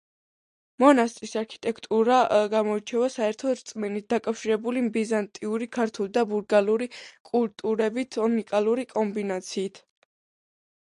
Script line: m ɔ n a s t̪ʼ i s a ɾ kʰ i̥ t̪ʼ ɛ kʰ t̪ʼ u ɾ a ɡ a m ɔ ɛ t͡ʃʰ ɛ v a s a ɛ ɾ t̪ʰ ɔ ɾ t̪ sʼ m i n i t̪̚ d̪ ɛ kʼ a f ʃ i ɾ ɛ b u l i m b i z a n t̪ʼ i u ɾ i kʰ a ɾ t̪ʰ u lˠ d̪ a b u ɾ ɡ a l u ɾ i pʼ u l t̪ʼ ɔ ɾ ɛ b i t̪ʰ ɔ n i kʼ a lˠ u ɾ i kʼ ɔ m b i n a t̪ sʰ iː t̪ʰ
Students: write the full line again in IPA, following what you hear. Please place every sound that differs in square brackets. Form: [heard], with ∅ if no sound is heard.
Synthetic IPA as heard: m ɔ n a s t̪ʼ i s a ɾ kʰ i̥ t̪ʼ ɛ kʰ t̪ʼ u ɾ a ɡ a m ɔ [i] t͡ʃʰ ɛ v a s a ɛ ɾ t̪ʰ ɔ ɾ t̪ sʼ m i n i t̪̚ d̪ [a] kʼ a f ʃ i ɾ ɛ b u l i m b i z a n t̪ʼ i u ɾ i kʰ a ɾ t̪ʰ u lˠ d̪ a b u ɾ ɡ a l u ɾ i [kʼ] u l t̪ʼ [u] ɾ ɛ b i t̪ʰ ɔ n i kʼ a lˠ u ɾ i kʼ ɔ m b i n a t̪ sʰ iː t̪ʰ